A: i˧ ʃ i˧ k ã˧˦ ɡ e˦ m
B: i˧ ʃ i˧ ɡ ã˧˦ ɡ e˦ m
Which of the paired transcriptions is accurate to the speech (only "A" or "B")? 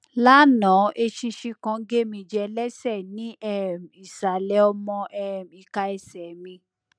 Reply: A